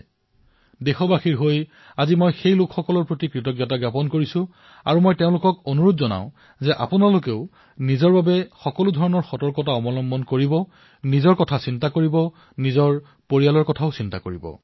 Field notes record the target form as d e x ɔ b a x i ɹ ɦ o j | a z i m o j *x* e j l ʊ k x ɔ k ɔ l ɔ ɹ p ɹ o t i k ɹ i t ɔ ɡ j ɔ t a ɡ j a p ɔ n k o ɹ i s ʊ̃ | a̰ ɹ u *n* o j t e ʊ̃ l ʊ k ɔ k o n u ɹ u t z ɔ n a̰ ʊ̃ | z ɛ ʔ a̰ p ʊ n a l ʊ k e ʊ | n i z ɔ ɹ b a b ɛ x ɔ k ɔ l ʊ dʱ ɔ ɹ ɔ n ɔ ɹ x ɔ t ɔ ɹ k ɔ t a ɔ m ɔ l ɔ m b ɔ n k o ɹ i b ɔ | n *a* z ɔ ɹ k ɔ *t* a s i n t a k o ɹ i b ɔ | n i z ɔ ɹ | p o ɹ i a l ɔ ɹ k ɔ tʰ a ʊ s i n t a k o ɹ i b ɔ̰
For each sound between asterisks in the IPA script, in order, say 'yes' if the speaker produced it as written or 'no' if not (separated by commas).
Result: yes, no, no, no